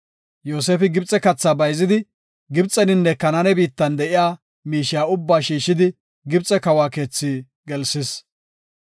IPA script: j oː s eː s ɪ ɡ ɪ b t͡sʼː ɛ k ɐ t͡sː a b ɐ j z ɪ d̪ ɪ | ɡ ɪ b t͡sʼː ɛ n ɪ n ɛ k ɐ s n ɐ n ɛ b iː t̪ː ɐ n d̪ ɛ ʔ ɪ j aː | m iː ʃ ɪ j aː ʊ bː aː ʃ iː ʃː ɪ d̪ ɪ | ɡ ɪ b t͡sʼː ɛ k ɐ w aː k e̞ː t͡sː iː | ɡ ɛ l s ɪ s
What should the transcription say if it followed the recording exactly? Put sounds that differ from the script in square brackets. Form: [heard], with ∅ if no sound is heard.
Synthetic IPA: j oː s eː [f] ɪ ɡ ɪ b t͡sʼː ɛ k ɐ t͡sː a b ɐ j z ɪ d̪ ɪ | ɡ ɪ b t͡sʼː ɛ n ɪ [nː] ɛ k ɐ [∅] n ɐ n ɛ b iː t̪ː ɐ n d̪ ɛ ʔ ɪ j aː | m iː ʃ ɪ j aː ʊ bː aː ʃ iː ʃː ɪ d̪ ɪ | ɡ ɪ b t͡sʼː ɛ k ɐ w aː k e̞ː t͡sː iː | ɡ ɛ l s ɪ s